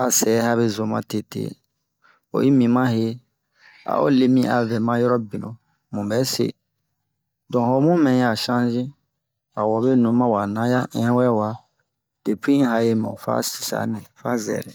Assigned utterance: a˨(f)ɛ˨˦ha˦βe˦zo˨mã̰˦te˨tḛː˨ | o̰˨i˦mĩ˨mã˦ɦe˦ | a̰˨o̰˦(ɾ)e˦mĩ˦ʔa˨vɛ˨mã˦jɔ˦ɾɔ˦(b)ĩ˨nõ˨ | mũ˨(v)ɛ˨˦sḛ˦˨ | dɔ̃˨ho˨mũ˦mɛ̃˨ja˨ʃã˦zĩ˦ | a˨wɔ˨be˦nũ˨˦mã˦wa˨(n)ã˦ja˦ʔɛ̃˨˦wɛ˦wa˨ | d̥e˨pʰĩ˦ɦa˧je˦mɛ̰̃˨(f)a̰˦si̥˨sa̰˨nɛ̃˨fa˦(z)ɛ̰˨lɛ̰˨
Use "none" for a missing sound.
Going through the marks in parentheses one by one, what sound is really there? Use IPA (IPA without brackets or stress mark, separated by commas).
s, l, b, b, n, f, z